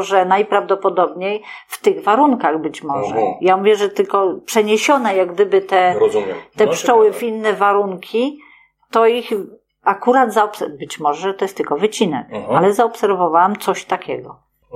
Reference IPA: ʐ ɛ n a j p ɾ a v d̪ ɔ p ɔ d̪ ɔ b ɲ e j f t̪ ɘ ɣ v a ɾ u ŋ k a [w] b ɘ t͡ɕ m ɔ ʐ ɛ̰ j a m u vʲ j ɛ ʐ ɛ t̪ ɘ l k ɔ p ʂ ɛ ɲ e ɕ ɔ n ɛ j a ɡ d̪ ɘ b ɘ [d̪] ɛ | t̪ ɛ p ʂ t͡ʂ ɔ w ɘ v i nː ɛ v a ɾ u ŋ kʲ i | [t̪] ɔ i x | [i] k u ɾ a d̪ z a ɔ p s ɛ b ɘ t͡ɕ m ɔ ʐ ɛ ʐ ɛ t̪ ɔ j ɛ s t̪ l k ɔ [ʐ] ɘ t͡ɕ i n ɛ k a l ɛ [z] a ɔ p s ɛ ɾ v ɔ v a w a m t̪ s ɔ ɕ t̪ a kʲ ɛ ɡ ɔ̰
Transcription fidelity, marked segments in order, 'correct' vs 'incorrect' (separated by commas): incorrect, incorrect, correct, incorrect, incorrect, correct